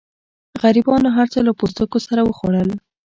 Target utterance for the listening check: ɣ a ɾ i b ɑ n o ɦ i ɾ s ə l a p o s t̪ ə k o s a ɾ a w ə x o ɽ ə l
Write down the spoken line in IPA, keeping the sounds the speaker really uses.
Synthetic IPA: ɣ a ɾ i b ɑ n o ɦ a ɾ t͡s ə l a p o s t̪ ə k o s a ɾ a w ə x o ɽ ə l